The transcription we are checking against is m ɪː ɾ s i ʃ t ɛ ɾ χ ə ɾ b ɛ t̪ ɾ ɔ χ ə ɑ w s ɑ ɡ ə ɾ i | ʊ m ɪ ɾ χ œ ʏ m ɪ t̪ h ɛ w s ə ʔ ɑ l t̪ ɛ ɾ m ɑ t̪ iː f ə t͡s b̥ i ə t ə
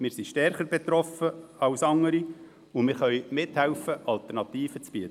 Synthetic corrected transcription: m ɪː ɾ s i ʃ t ɛ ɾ χ ə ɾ b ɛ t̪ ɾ ɔ f ə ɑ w s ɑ ŋ ə ɾ i | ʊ m ɪ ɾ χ œ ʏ m ɪ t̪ h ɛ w f ə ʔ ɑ l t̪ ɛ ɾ n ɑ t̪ iː f ə t͡s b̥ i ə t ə

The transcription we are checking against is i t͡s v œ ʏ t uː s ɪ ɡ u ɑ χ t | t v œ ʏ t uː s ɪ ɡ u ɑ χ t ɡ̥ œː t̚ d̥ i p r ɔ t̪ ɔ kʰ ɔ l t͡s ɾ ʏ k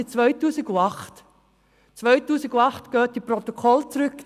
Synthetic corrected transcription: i t͡s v œ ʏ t uː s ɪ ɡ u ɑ χ t | t͡s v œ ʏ t uː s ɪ ɡ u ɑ χ t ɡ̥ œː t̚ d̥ i p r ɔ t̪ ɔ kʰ ɔ l t͡s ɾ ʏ k

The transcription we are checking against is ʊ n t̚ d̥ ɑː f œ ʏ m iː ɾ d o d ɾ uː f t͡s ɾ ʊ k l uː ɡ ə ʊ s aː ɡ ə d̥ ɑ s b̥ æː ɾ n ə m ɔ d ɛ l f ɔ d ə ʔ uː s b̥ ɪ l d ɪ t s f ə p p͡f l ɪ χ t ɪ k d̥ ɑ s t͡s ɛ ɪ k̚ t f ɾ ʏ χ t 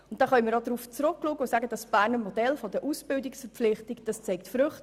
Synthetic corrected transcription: ʊ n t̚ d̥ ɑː χ œ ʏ m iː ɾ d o d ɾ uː f t͡s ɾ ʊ k l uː ɡ ə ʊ s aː ɡ ə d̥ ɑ s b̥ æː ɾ n ə m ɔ d ɛ l f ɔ d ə ʔ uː s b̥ ɪ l d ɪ k s f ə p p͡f l ɪ χ t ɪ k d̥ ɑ s t͡s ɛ ɪ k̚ t f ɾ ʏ χ t

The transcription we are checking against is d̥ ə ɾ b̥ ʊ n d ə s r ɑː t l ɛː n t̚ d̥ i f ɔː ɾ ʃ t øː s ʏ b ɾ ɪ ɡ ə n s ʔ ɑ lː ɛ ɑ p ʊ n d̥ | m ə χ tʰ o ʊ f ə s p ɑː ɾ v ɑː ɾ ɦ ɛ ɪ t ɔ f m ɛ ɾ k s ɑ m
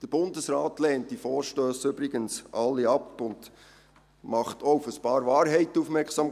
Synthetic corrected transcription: d̥ ə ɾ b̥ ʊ n d ə s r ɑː t l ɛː n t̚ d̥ i f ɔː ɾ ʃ t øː s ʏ b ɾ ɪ ɡ ə n s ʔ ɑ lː i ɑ p ʊ n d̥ | m ɑ χ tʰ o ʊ f ə s p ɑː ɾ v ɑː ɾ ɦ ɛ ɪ t u f m ɛ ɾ k s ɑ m

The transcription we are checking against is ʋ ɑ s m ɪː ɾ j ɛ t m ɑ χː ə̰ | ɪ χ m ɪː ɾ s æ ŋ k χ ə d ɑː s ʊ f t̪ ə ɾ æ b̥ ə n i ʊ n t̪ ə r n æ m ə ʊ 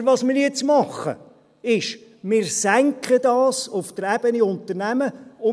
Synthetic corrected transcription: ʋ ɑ s m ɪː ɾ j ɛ t͡s m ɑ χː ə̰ | ɪ ʃ m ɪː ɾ s æ ŋ k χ ə d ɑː s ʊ f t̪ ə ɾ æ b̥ ə n i ʊ n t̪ ə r n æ m ə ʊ

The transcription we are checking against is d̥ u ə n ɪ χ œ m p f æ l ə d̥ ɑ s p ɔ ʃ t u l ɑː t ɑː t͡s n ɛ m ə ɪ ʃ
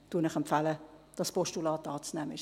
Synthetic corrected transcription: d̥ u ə n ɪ χ ɛ m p f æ l ə d̥ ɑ s p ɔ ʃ t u l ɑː t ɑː t͡s n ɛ m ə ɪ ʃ

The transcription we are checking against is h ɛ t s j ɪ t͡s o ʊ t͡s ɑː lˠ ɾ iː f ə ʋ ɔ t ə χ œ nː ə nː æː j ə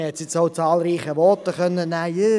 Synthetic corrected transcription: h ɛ t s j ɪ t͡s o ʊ t͡s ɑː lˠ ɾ iː χ ə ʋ ɔ t ə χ œ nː ə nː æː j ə

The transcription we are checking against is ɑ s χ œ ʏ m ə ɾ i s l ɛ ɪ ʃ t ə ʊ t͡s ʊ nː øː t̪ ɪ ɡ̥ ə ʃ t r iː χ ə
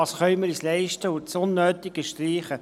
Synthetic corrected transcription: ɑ s χ œ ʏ m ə ɾ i s l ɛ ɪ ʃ t ə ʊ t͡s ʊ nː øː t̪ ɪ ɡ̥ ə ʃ t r iː χ ə

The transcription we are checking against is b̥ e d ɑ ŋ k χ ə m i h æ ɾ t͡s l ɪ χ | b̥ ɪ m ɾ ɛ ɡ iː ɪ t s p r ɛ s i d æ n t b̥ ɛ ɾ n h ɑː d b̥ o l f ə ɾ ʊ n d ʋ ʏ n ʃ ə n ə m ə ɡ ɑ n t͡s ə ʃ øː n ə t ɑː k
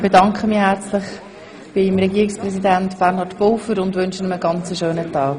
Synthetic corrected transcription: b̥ e d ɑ ŋ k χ ə m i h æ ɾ t͡s l ɪ χ | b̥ ɪ m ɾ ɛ ɡ iː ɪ k s p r ɛ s i d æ n t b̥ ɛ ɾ n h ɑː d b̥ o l f ə ɾ ʊ n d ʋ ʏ n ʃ ə n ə m ə ɡ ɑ n t͡s ə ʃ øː n ə t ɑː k

